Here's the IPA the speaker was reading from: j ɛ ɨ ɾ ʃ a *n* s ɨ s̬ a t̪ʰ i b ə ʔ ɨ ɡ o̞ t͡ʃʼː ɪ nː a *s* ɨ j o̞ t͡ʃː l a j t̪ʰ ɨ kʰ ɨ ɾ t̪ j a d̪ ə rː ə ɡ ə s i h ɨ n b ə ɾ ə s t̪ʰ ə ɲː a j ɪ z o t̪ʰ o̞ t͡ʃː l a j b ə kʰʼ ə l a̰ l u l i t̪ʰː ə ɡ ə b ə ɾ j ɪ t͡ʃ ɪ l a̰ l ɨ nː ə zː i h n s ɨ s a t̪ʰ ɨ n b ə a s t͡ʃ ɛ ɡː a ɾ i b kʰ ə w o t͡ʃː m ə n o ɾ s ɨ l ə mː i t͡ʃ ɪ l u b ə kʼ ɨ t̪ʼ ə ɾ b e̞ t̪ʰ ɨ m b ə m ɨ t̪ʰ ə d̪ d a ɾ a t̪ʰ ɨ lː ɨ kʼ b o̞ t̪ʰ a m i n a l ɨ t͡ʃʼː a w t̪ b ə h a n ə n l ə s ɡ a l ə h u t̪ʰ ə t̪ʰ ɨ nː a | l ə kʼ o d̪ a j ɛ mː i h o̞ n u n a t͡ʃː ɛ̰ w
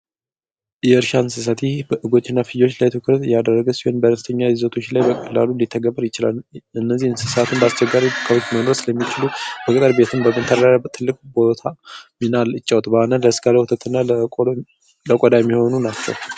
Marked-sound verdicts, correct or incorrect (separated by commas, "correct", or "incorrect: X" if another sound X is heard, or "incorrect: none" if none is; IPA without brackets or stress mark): correct, incorrect: f